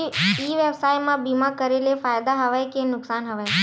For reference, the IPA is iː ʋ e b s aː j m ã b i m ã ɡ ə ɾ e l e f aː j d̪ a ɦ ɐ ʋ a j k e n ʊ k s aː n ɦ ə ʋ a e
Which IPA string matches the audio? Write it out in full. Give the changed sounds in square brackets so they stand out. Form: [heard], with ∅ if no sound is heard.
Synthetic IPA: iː ʋ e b s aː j m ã b i m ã [k] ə ɾ e l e f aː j d̪ a ɦ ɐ ʋ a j k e n ʊ k s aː n ɦ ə ʋ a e

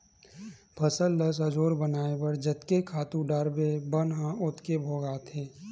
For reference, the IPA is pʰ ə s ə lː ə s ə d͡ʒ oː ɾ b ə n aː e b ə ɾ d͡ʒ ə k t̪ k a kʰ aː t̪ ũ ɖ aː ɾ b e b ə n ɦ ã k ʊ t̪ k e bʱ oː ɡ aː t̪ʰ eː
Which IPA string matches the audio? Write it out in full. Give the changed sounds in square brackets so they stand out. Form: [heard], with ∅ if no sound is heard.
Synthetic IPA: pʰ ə s ə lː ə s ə d͡ʒ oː ɾ b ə n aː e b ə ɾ d͡ʒ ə [∅] t̪ k [e] kʰ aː t̪ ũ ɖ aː ɾ b e b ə n ɦ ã [∅] ʊ t̪ k e bʱ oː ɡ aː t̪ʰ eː

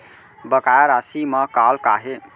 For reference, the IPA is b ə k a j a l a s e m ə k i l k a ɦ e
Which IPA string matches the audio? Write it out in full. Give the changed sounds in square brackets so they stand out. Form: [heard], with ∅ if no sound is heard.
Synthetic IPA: b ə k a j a [ɾ] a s [i] m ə k [a] l k a ɦ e

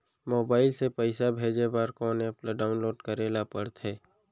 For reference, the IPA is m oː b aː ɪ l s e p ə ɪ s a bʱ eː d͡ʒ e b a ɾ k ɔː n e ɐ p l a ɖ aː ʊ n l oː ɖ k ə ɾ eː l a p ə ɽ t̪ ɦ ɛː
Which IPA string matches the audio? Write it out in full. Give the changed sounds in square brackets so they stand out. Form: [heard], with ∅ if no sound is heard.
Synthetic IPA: m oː b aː ɪ l s e p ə ɪ s a bʱ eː d͡ʒ e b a ɾ k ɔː n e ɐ p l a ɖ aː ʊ n l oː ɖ k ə ɾ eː l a p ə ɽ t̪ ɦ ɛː

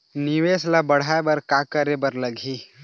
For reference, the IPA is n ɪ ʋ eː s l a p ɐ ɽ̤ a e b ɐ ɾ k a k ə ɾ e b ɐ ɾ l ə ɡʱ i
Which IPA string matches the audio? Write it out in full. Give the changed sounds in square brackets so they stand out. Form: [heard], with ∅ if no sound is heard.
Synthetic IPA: n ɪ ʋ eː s l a [b] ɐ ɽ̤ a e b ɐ ɾ k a k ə ɾ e b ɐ ɾ l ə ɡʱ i

